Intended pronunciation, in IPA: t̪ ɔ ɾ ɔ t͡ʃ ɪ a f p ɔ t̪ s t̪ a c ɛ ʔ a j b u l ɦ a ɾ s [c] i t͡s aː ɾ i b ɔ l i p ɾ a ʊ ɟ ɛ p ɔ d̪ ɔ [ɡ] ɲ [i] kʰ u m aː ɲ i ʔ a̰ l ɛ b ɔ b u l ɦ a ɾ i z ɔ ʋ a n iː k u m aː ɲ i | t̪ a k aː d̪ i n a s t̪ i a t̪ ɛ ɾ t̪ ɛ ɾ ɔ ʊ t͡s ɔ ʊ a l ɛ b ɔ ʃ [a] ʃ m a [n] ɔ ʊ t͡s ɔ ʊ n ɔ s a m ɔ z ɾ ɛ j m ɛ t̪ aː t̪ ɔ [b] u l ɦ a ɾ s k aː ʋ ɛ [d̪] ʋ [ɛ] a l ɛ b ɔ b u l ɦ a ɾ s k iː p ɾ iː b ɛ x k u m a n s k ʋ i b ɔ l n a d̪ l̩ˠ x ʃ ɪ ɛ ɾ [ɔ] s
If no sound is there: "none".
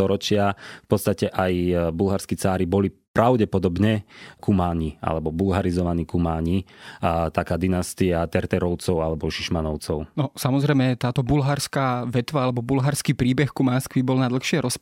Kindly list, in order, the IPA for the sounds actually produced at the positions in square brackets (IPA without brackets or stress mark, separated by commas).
k, b, ɛ, i, n, b, t̪, a, ɔ